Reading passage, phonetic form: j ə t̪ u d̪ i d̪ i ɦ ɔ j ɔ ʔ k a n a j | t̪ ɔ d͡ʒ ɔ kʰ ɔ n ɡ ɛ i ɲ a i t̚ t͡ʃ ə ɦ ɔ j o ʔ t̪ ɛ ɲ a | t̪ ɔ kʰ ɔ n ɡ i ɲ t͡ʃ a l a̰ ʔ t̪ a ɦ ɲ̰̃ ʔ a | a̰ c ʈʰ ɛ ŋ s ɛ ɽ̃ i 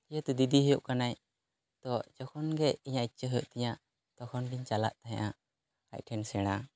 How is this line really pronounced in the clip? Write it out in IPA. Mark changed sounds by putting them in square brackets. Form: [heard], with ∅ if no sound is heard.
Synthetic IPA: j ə t̪ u d̪ i d̪ i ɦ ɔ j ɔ ʔ k a n a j | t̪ ɔ d͡ʒ ɔ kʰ ɔ n ɡ ɛ i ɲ a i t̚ t͡ʃ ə ɦ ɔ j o ʔ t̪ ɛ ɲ a | t̪ ɔ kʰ ɔ n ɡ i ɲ t͡ʃ a l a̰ ʔ t̪ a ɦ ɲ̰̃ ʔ a | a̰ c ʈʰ ɛ [n] s ɛ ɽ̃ [a]